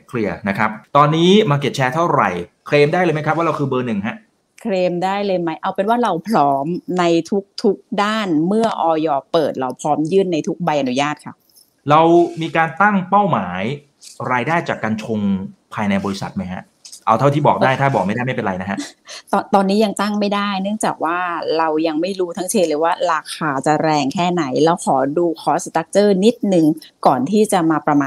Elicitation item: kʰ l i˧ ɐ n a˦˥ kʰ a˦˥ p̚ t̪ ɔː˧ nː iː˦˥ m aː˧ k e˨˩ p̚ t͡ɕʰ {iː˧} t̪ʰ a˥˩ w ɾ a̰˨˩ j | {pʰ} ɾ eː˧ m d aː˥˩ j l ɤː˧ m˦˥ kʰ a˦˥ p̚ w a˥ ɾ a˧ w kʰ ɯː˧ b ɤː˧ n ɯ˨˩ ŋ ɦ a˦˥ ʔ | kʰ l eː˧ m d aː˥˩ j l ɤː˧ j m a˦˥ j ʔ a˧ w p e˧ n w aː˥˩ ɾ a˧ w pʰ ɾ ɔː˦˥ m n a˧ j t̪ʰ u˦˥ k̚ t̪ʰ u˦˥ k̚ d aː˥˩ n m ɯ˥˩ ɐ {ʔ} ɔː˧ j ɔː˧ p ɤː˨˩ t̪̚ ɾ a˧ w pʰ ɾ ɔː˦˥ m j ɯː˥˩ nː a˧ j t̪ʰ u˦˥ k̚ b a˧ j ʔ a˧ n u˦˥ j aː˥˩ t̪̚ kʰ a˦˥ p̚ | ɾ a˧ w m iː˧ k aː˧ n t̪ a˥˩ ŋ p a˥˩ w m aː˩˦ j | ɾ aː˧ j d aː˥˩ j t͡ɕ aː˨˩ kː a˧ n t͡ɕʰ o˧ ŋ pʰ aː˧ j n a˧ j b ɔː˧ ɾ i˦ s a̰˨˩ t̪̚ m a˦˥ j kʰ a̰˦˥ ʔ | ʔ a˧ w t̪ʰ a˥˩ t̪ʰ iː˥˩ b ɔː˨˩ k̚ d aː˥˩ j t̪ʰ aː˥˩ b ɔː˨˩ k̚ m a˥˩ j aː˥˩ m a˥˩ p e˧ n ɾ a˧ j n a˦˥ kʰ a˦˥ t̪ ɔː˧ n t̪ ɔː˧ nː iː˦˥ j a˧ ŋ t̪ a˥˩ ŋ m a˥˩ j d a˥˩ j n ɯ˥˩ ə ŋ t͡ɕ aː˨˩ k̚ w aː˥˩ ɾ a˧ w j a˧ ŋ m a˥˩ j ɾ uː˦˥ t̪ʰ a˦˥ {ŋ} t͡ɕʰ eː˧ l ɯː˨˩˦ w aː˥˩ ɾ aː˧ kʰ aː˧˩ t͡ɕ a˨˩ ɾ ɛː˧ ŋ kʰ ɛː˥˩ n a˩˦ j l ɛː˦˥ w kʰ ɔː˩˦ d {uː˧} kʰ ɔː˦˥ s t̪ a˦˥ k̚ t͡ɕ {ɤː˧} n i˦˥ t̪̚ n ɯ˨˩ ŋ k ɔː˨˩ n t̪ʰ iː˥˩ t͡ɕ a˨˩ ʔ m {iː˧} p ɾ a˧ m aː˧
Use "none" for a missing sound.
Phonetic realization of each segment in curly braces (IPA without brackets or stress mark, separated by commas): ɛː˧, kʰ, ʔ, ŋ, uː˧, ɤː˥˩, aː˧